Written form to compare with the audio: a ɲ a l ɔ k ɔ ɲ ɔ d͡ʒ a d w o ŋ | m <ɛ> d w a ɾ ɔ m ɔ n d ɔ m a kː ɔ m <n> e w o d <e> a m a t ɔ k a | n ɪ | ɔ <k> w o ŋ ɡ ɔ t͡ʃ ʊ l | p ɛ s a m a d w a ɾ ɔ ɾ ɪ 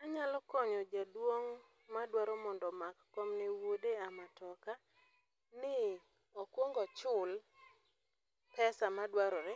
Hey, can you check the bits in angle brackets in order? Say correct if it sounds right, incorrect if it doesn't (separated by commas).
incorrect, correct, correct, correct